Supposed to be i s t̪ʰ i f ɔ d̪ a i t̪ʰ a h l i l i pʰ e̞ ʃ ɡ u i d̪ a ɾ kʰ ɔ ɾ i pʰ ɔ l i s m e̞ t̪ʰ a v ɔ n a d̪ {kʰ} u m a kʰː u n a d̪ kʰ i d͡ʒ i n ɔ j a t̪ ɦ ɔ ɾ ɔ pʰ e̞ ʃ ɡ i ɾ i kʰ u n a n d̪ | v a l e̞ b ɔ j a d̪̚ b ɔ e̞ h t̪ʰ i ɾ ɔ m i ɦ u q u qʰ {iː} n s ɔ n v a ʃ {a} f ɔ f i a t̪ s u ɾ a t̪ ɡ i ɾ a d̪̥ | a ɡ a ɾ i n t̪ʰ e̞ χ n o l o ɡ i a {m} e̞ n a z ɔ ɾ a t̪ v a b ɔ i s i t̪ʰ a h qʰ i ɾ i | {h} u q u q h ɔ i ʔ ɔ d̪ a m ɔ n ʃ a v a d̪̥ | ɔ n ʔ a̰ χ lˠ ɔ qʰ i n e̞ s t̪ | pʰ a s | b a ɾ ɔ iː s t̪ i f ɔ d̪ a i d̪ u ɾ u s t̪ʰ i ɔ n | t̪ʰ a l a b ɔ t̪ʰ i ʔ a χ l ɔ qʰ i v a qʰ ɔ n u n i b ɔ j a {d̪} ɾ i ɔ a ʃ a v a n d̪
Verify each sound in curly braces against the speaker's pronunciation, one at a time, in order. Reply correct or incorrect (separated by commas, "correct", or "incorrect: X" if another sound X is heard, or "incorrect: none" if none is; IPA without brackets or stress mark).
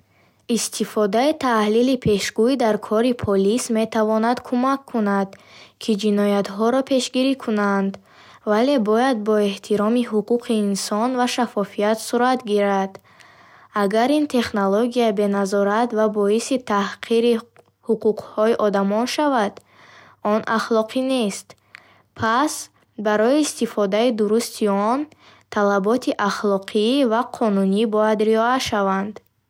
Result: correct, correct, correct, incorrect: b, correct, correct